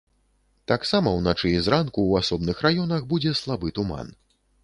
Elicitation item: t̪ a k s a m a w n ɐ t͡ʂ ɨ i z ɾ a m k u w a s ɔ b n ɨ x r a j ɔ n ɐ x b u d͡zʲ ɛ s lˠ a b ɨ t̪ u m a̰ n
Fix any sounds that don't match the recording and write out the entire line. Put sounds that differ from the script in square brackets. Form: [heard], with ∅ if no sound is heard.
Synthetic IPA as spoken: t̪ a k s a m [ɐ] w n [a] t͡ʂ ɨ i z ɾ a [n] k u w a s ɔ b n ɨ x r a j ɔ n ɐ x b u d͡zʲ ɛ s lˠ a b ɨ t̪ u m a̰ n